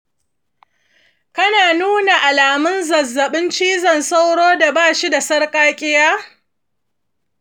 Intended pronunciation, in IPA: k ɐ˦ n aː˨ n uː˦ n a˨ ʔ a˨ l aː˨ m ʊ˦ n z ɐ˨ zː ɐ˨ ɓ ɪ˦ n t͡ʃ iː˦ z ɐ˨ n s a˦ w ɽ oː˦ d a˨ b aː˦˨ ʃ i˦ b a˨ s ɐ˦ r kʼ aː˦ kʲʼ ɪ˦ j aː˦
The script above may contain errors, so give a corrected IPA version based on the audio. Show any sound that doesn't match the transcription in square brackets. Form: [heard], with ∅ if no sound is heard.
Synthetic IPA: k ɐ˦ n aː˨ n uː˦ n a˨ ʔ a˨ l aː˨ m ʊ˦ n z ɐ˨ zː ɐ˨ ɓ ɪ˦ n t͡ʃ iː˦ z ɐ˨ n s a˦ w ɽ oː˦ d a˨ b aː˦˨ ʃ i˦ [d] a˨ s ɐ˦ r kʼ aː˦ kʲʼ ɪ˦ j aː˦